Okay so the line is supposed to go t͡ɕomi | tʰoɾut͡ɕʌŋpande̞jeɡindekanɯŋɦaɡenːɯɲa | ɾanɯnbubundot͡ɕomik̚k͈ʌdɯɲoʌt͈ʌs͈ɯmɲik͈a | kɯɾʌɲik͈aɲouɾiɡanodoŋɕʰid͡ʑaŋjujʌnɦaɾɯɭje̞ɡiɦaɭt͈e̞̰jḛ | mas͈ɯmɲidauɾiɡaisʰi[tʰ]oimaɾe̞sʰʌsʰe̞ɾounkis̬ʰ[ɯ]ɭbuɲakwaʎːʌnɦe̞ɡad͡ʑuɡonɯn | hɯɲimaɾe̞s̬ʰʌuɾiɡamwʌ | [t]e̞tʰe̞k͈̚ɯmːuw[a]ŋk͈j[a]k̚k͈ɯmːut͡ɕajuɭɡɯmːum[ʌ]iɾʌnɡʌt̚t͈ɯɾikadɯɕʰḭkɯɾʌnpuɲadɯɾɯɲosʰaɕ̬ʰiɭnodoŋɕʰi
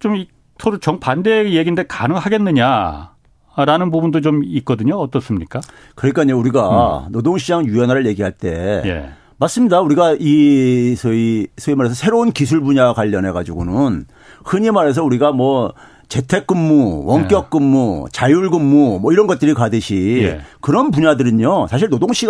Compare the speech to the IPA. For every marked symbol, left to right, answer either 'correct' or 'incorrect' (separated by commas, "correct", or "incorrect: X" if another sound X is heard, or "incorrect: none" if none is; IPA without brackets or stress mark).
incorrect: sʰ, incorrect: u, incorrect: t͡ɕ, incorrect: ʌ, incorrect: ʌ, correct